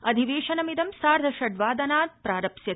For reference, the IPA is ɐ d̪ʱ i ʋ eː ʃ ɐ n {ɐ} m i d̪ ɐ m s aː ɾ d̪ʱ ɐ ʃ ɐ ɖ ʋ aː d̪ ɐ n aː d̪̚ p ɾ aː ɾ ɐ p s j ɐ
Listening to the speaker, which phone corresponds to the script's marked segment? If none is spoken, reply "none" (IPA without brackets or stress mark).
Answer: ɐ